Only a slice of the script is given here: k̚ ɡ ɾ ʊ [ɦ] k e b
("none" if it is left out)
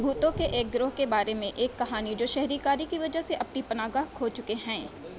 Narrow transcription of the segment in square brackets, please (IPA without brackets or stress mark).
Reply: ɦ